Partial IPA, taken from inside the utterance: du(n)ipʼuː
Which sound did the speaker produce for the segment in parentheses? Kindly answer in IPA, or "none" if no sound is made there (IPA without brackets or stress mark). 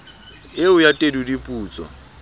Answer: d